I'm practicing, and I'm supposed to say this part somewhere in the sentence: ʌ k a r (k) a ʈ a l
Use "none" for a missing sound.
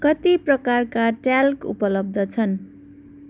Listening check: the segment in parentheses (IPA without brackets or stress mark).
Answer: k